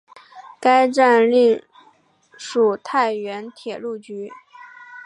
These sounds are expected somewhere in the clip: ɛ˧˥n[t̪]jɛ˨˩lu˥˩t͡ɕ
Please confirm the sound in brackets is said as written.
no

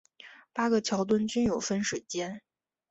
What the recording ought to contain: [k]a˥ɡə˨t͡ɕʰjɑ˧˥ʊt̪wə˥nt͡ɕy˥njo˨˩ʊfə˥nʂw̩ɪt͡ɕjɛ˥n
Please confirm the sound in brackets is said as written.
no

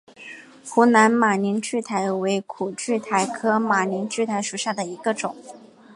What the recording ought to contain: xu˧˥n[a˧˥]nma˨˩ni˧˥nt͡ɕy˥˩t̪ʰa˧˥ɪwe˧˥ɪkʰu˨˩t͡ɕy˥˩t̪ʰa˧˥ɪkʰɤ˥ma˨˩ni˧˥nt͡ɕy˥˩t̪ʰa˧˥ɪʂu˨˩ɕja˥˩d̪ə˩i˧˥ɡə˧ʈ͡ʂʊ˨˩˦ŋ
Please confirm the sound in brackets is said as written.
yes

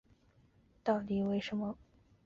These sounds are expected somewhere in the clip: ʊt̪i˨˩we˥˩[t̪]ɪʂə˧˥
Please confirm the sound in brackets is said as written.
no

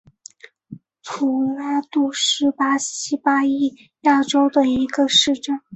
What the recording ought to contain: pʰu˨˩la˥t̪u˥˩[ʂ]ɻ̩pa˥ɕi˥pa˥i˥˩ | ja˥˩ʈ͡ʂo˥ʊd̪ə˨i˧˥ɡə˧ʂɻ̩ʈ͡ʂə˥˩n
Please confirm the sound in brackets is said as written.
yes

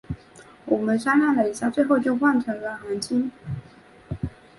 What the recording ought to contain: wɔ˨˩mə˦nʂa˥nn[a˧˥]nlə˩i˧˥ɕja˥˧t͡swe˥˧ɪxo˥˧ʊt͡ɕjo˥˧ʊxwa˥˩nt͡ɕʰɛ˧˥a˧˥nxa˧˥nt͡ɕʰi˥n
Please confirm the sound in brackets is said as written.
no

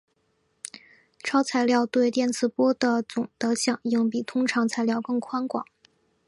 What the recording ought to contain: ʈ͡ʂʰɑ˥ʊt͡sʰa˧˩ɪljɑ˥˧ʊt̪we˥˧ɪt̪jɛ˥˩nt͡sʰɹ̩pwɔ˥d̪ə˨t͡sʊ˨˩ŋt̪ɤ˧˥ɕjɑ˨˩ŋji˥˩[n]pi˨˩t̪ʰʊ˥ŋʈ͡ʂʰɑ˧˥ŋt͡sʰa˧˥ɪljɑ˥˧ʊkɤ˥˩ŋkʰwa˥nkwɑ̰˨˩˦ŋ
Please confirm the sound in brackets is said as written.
no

